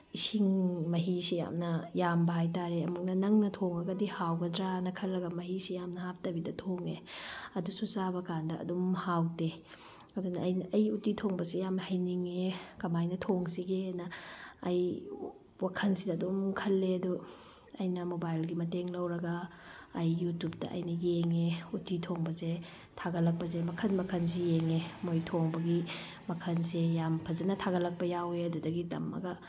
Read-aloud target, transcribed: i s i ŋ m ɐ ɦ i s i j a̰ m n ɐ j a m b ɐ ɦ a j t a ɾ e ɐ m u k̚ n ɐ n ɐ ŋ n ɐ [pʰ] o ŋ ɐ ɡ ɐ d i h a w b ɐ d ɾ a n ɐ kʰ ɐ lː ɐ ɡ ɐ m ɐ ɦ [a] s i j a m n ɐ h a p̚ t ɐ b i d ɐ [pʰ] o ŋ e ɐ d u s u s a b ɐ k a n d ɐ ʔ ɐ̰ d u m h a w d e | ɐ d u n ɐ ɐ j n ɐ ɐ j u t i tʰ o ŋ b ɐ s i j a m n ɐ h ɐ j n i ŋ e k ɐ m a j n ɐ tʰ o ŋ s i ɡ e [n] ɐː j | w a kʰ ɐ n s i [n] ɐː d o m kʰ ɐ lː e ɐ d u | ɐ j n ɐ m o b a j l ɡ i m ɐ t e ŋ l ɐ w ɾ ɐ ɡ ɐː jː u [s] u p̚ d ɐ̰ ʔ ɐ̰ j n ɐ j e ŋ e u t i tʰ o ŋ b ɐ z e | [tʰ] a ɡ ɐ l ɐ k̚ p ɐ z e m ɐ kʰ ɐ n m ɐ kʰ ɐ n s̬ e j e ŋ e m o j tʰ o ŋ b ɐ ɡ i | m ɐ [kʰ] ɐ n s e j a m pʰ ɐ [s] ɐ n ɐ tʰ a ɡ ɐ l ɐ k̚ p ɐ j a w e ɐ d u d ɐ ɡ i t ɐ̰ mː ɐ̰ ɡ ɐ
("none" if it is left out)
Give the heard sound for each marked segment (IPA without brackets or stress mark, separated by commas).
tʰ, i, tʰ, n, d, t, tʰ, kʰ, z